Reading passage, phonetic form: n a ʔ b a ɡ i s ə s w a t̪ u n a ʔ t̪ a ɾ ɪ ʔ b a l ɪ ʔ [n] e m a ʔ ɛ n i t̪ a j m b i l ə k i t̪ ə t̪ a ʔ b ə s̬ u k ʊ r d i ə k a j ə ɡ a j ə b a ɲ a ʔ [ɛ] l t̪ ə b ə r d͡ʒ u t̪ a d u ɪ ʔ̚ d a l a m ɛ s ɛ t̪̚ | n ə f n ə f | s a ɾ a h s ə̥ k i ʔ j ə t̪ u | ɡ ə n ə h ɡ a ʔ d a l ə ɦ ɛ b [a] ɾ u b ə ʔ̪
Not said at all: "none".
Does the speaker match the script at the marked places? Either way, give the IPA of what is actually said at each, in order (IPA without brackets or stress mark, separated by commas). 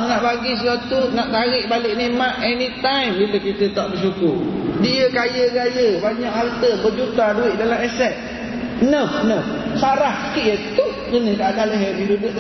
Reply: n, a, i